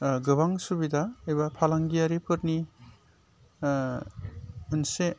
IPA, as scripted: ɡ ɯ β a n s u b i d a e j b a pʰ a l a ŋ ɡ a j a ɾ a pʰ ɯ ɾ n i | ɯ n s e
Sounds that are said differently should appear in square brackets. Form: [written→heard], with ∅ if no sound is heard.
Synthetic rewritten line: ɡ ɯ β a [n→ŋ] s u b i d a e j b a pʰ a l a ŋ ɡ [a→i] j a ɾ [a→i] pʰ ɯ ɾ n i | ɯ n s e